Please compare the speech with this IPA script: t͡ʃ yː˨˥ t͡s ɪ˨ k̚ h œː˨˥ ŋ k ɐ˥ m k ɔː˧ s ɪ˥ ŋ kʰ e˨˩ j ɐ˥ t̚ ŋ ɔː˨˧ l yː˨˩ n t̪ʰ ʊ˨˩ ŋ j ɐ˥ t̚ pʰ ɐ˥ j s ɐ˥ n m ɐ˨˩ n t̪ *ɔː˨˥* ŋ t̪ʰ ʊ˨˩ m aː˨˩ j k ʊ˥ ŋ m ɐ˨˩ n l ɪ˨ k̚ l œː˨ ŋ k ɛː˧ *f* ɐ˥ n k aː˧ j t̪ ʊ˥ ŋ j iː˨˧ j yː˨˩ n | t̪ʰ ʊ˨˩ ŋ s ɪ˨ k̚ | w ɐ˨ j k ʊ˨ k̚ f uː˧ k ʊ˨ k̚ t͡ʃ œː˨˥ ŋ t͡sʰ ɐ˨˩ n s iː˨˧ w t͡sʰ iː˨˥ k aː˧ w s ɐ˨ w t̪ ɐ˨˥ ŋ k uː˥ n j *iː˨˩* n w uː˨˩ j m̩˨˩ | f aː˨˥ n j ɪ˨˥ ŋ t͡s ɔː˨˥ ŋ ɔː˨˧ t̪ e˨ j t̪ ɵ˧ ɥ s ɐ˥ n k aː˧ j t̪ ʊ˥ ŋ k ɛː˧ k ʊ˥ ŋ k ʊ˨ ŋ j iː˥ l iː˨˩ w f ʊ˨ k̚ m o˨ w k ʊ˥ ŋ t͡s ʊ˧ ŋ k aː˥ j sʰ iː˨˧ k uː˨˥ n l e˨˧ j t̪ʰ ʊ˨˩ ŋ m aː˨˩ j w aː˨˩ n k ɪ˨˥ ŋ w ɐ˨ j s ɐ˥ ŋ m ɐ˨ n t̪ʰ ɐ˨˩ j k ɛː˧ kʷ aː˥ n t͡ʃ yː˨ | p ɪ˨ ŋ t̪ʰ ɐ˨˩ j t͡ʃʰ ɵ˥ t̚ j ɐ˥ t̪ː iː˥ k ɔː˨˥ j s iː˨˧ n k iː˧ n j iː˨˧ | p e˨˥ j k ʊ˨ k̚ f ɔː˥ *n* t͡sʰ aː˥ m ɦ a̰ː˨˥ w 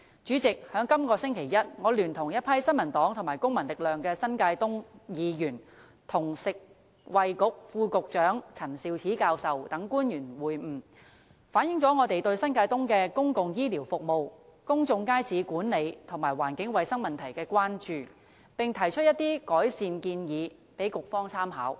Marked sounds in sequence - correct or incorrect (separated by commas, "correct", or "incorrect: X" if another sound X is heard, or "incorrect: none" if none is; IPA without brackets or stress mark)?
correct, incorrect: s, incorrect: yː˨˩, incorrect: ŋ